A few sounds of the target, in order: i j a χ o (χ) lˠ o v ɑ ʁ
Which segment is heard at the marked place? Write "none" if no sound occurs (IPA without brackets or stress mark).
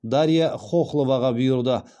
χ